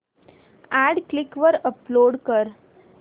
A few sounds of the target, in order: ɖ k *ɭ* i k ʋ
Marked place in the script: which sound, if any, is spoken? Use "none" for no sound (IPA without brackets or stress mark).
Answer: l